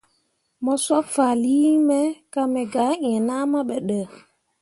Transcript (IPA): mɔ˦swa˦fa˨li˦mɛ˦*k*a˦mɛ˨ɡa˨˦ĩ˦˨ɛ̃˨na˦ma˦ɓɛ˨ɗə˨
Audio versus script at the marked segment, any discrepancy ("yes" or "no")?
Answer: no